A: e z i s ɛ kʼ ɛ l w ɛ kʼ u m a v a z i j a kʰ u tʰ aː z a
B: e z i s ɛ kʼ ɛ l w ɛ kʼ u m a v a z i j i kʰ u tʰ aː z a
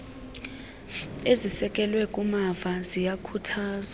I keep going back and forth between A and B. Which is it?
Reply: A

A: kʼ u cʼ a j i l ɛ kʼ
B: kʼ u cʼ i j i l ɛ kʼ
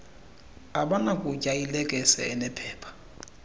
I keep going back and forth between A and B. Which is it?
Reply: A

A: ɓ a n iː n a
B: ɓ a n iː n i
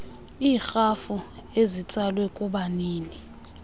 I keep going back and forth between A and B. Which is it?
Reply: B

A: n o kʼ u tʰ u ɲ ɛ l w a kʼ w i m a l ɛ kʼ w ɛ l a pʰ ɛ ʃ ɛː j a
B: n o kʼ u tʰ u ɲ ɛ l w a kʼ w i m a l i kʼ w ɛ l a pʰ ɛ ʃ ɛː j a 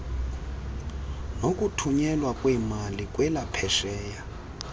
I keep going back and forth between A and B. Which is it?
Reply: B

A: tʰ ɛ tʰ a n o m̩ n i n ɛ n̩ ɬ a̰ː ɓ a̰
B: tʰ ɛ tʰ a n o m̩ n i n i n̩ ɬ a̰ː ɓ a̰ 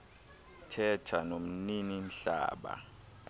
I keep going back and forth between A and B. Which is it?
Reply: B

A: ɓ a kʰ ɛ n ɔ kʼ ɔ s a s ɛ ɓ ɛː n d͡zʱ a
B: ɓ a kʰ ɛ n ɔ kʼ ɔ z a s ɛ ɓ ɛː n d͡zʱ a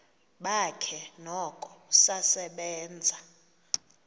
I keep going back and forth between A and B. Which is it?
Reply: A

